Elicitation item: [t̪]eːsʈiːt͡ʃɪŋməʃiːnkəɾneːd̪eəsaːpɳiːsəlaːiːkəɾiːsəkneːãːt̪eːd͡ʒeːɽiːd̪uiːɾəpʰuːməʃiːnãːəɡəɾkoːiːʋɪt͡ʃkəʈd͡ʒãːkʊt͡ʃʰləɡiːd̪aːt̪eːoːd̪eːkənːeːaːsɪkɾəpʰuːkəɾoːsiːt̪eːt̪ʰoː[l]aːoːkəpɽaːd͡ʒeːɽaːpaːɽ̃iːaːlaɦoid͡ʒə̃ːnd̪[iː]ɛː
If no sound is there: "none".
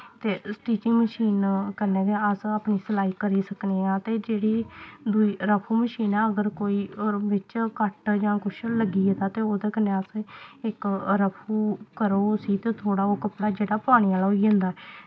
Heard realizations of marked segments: t̪, ɽ, aː

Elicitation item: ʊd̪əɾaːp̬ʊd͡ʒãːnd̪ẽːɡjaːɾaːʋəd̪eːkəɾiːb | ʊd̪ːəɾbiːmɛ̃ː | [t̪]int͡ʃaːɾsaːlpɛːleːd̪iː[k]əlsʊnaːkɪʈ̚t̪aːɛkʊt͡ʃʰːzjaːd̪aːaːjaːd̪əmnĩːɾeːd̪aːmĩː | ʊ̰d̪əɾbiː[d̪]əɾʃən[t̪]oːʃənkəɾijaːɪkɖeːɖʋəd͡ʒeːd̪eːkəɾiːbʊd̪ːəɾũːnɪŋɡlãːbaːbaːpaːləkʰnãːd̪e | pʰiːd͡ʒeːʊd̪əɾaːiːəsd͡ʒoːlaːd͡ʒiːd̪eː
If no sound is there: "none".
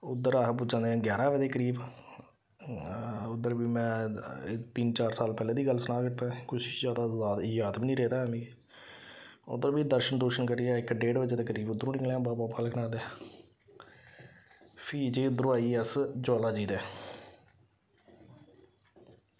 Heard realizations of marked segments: t̪, ɡ, d̪, d̪

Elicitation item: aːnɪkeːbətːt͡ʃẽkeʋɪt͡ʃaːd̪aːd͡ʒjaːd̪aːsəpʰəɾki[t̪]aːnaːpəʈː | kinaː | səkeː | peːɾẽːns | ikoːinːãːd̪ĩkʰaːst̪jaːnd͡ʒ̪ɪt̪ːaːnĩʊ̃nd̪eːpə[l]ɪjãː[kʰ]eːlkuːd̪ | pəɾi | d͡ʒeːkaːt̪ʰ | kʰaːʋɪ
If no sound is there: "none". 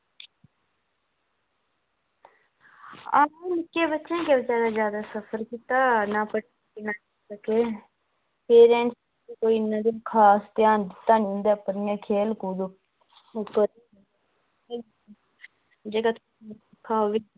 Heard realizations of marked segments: t̪, ɾ, kʰ

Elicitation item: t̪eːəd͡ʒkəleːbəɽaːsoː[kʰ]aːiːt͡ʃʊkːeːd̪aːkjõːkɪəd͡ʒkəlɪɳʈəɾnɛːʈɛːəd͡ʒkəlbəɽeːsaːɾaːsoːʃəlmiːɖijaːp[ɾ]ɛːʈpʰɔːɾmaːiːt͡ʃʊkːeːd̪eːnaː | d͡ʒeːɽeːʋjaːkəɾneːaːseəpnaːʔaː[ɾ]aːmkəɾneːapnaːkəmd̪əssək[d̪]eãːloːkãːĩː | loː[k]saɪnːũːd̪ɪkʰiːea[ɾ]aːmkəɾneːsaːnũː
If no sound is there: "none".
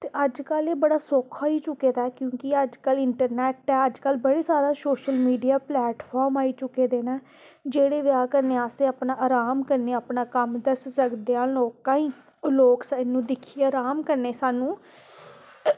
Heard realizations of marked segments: kʰ, l, ɾ, d̪, k, ɾ

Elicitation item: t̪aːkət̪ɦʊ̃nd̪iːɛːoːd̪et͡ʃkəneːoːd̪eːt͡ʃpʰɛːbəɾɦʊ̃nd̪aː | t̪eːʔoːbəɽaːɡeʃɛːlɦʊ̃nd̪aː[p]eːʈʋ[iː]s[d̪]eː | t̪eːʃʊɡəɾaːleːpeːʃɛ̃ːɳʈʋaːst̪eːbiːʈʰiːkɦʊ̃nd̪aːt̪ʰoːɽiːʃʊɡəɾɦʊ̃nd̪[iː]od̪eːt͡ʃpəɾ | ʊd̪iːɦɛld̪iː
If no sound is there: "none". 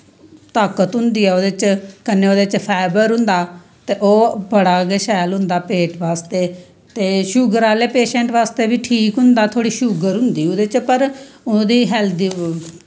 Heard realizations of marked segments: p, aː, t̪, iː

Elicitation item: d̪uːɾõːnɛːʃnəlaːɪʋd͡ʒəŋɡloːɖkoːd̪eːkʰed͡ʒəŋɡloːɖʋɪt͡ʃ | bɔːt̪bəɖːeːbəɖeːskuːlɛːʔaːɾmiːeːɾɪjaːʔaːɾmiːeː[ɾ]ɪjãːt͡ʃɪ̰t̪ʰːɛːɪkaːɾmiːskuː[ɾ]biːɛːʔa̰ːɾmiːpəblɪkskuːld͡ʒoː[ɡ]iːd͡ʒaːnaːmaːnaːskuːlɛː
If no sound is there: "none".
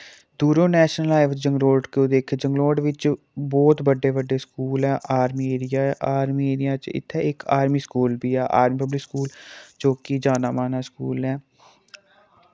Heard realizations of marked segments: ɾ, l, k

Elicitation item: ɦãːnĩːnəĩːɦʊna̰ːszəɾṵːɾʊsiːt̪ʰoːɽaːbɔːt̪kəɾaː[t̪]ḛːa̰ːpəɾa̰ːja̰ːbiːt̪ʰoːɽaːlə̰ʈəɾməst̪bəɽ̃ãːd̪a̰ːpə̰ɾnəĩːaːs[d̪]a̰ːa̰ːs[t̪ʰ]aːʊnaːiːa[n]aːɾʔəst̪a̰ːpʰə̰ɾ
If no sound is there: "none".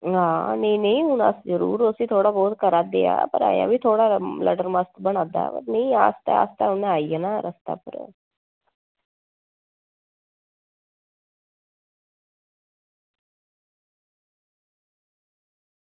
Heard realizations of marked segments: d̪, t̪, t̪, n

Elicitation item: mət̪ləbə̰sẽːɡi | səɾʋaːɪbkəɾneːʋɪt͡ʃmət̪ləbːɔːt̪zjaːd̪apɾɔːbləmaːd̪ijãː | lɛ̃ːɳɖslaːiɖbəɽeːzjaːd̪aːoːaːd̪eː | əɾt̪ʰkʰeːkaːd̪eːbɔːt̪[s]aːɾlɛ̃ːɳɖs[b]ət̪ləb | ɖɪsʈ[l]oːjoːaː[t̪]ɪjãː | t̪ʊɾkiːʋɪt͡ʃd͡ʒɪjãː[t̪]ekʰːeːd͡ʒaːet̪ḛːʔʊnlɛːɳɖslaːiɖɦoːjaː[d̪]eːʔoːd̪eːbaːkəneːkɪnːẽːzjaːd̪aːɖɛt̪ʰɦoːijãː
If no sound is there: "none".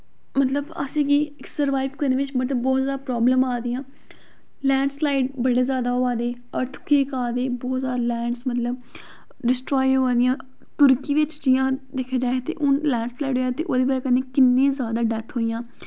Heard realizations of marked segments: z, m, ɾ, d̪, d̪, t̪

